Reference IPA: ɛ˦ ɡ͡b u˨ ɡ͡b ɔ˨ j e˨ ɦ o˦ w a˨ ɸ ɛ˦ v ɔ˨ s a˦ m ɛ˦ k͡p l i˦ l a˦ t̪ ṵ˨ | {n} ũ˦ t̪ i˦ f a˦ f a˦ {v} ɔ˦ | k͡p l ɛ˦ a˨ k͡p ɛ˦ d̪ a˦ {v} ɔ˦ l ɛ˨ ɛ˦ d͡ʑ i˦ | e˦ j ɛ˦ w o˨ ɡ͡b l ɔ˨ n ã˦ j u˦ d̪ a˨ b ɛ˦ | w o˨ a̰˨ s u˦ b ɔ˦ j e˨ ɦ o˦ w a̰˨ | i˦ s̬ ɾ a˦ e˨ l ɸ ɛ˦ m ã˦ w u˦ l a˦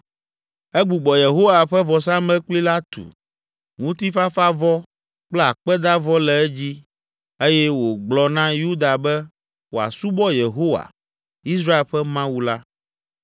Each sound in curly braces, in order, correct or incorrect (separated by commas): incorrect, correct, correct